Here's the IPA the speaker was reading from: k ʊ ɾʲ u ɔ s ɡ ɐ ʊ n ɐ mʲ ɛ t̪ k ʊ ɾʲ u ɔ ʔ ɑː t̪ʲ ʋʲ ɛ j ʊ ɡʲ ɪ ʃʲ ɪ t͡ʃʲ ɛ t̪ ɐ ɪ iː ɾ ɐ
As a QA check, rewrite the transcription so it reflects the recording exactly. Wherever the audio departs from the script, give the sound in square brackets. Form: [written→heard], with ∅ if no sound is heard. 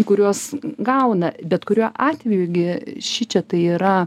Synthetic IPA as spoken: k ʊ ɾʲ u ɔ s ɡ ɐ ʊ n ɐ [mʲ→bʲ] ɛ t̪ k ʊ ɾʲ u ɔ ʔ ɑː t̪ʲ ʋʲ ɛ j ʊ ɡʲ ɪ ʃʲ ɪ t͡ʃʲ ɛ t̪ ɐ ɪ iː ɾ ɐ

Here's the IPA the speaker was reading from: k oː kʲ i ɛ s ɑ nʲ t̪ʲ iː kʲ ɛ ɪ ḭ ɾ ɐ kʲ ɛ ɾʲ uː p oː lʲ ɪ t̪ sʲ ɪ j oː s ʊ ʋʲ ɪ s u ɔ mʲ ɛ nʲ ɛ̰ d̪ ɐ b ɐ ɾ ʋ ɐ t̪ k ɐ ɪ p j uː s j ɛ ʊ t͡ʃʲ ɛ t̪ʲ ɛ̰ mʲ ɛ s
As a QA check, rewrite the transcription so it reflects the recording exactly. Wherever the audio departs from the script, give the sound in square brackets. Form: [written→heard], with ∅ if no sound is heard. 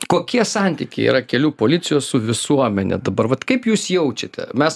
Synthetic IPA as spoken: k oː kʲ i ɛ s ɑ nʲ t̪ʲ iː kʲ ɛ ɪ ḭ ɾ ɐ kʲ ɛ [ɾʲ→lʲ] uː p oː lʲ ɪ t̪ sʲ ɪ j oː s ʊ ʋʲ ɪ s u ɔ mʲ ɛ nʲ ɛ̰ d̪ ɐ b ɐ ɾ ʋ ɐ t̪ k ɐ ɪ p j uː s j ɛ ʊ t͡ʃʲ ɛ t̪ʲ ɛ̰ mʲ ɛ s

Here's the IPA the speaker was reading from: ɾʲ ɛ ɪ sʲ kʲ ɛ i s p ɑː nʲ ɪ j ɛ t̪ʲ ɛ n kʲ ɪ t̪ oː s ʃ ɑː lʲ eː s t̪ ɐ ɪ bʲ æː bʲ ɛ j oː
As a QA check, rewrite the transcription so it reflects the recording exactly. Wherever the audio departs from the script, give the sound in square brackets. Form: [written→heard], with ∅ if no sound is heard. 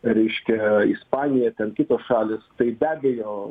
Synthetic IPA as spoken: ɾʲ ɛ ɪ [sʲ→ʃʲ] kʲ ɛ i s p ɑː nʲ ɪ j ɛ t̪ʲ ɛ n kʲ ɪ t̪ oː s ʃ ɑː lʲ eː s t̪ ɐ ɪ bʲ æː bʲ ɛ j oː

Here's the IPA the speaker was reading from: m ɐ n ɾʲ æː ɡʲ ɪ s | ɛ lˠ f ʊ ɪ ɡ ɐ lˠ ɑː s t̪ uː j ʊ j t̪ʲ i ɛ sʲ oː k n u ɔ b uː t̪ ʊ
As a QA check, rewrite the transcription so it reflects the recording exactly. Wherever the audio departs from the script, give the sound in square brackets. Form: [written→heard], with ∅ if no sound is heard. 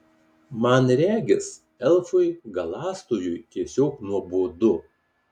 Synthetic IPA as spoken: m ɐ n ɾʲ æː ɡʲ ɪ s | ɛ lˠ f ʊ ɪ ɡ ɐ lˠ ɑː s t̪ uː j ʊ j t̪ʲ i ɛ sʲ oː k n u ɔ b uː [t̪→d̪] ʊ

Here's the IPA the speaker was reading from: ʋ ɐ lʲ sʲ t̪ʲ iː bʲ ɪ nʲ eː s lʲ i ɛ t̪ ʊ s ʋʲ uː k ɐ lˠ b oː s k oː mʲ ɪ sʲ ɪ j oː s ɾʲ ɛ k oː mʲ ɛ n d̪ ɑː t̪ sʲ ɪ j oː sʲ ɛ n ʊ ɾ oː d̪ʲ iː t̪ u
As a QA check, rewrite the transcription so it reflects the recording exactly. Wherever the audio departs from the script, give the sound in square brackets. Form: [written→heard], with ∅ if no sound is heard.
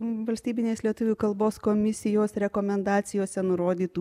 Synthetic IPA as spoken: ʋ ɐ lʲ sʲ t̪ʲ iː bʲ ɪ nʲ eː s lʲ i ɛ t̪ ʊ [s→∅] ʋʲ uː k ɐ lˠ b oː s k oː mʲ ɪ sʲ ɪ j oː s ɾʲ ɛ k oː mʲ ɛ n d̪ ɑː t̪ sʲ ɪ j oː sʲ ɛ n ʊ ɾ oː d̪ʲ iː t̪ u

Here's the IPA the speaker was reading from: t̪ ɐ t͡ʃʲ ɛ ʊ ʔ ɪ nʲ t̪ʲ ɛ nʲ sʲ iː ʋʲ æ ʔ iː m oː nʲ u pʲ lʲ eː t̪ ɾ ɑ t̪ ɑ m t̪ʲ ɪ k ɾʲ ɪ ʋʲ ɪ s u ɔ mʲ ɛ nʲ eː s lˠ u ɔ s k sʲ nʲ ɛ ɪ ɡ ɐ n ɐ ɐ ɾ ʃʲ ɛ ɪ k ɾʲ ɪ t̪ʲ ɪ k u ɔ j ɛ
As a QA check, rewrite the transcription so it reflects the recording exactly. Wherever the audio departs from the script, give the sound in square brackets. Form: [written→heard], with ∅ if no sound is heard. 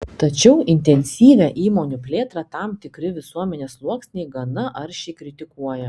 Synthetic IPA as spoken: t̪ ɐ t͡ʃʲ ɛ ʊ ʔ ɪ nʲ t̪ʲ ɛ nʲ sʲ iː ʋʲ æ ʔ iː m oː nʲ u pʲ lʲ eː t̪ ɾ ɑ t̪ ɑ m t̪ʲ ɪ k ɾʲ ɪ ʋʲ ɪ s u ɔ mʲ ɛ nʲ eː s lˠ u ɔ [s→∅] k sʲ nʲ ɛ ɪ ɡ ɐ n ɐ ɐ ɾ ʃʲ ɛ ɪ k ɾʲ ɪ t̪ʲ ɪ k u ɔ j ɛ

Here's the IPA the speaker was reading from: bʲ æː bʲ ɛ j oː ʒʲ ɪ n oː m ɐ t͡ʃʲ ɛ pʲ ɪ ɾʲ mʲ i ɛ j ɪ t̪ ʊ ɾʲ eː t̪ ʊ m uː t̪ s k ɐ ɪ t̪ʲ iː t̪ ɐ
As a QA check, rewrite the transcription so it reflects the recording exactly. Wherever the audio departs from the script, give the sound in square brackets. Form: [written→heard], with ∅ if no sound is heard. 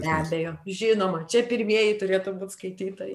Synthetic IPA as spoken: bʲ æː bʲ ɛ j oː ʒʲ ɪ n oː m ɐ t͡ʃʲ ɛ pʲ ɪ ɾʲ mʲ i ɛ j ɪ t̪ ʊ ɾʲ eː t̪ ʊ [m→b] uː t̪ s k ɐ ɪ t̪ʲ iː t̪ ɐ

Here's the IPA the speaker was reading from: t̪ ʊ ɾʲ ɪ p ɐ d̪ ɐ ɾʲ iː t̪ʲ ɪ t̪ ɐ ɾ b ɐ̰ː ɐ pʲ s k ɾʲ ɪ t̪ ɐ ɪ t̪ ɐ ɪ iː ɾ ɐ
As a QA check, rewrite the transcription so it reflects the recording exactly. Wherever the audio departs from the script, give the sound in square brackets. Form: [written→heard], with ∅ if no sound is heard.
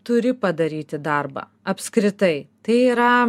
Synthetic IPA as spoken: t̪ ʊ ɾʲ ɪ p ɐ d̪ ɐ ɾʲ iː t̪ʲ ɪ [t̪→d̪] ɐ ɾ b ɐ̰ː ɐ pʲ s k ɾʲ ɪ t̪ ɐ ɪ t̪ ɐ ɪ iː ɾ ɐ

